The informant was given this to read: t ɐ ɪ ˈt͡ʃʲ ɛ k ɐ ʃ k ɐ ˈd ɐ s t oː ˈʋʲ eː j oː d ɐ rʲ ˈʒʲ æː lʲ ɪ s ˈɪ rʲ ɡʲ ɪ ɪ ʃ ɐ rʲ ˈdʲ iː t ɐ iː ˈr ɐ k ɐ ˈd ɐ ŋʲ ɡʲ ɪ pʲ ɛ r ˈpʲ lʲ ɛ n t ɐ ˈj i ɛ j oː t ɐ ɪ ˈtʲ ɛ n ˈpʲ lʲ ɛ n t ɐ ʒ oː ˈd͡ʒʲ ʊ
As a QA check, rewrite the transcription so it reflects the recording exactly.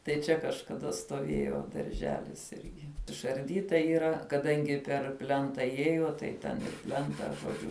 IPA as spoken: t ɐ ɪ ˈt͡ʃʲ ɛ k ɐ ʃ k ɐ ˈd ɐ s t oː ˈʋʲ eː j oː d ɐ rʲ ˈʒʲ æː lʲ ɪ s ˈɪ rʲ ɡʲ ɪ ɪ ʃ ɐ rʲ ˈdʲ iː t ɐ iː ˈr ɐ k ɐ ˈd ɐ ŋʲ ɡʲ ɪ pʲ ɛ r ˈpʲ lʲ ɛ n t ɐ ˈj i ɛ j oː t ɐ ɪ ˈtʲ ɛ n ˈpʲ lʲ ɛ n t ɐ ʒ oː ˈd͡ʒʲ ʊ